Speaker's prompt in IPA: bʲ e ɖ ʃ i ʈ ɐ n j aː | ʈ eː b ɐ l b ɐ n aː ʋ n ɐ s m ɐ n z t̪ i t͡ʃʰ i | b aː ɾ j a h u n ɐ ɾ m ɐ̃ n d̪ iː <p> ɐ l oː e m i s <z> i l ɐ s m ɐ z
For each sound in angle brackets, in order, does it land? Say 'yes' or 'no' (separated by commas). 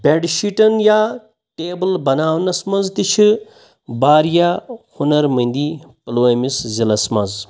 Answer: yes, yes